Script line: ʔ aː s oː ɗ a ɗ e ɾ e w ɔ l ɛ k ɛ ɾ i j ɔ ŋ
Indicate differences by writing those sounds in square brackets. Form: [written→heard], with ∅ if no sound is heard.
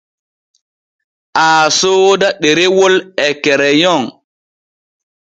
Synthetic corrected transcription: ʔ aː s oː [ɗ→d] a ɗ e ɾ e w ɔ l ɛ k ɛ ɾ [i→ɛ] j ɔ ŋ

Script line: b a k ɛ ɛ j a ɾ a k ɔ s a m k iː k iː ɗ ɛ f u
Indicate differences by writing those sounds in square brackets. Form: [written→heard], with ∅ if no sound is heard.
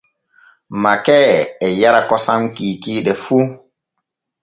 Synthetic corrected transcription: [b→m] a k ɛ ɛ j a ɾ a k ɔ s a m k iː k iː ɗ ɛ f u

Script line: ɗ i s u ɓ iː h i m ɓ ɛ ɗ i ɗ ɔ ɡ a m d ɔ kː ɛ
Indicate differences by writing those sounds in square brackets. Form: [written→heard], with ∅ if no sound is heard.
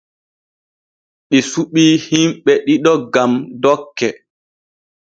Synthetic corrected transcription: ɗ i s u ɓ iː h i m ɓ ɛ ɗ i ɗ ɔ ɡ a m d ɔ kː ɛ

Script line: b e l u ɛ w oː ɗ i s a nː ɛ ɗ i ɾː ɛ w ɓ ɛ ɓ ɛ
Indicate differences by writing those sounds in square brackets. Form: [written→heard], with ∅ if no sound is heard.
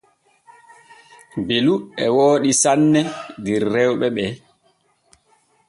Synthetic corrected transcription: b e l u ɛ w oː ɗ i s a nː ɛ [ɗ→d] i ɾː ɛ w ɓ ɛ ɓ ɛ

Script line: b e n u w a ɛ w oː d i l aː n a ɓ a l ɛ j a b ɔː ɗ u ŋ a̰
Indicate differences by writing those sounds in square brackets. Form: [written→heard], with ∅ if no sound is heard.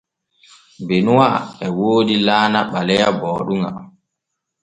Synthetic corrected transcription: b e n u w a ɛ w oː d i l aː n a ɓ a l ɛ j a b ɔː ɗ u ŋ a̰

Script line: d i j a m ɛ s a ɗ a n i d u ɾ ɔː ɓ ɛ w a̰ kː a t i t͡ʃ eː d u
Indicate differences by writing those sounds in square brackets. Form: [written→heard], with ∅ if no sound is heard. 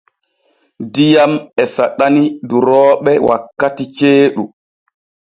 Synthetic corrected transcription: d i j a m ɛ s a ɗ a n i d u ɾ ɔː ɓ ɛ w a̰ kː a t i t͡ʃ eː [d→ɗ] u

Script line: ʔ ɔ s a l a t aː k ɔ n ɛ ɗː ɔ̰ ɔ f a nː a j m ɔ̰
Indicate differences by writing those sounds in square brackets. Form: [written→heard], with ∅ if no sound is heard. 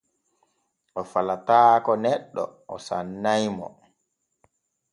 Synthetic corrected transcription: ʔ ɔ [s→f] a l a t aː k ɔ n ɛ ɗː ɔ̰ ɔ [f→s] a nː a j m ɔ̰

